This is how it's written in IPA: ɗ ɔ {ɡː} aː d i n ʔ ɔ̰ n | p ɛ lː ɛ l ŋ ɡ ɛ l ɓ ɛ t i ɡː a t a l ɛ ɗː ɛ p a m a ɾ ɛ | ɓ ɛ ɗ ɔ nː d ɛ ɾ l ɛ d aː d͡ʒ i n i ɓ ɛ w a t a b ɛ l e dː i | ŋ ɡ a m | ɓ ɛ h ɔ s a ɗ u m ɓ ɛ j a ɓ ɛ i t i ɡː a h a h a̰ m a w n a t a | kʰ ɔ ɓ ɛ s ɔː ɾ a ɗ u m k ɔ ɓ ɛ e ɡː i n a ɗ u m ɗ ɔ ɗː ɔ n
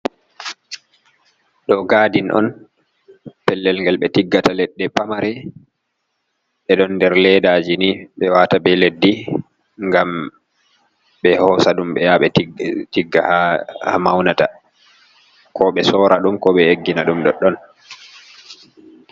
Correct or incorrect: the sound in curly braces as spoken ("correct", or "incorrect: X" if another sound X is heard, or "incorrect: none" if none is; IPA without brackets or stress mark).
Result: incorrect: ɡ